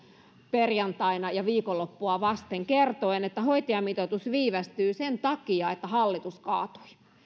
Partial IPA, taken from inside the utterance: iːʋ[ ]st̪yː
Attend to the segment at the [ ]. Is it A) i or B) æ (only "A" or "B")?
B